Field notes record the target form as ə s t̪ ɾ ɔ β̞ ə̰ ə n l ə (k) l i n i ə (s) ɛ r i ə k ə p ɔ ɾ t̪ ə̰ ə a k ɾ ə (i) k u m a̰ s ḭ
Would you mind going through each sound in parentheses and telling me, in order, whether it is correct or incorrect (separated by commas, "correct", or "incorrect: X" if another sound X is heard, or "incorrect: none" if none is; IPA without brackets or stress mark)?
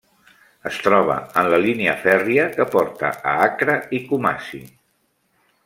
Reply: incorrect: none, incorrect: f, correct